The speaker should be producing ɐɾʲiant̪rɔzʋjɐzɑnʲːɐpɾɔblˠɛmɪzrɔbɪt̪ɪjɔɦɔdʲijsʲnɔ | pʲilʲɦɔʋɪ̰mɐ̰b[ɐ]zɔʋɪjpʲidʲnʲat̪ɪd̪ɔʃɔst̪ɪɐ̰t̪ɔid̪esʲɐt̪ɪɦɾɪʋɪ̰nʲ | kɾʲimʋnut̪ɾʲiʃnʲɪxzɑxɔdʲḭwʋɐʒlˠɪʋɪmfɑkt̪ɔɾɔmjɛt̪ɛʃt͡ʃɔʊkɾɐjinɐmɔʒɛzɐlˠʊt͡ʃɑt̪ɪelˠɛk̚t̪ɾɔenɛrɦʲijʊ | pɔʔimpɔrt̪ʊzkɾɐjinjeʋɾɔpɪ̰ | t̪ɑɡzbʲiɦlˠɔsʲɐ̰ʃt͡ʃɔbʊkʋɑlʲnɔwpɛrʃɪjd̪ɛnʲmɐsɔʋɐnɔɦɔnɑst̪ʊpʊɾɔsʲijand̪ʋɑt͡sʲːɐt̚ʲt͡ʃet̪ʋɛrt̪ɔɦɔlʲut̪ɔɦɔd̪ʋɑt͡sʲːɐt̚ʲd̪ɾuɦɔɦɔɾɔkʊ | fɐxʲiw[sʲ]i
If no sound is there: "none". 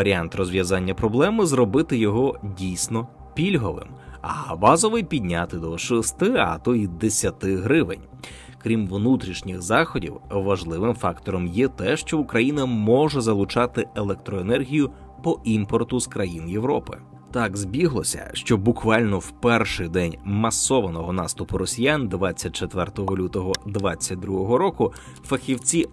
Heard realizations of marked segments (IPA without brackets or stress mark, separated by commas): ɑ, t͡sʲ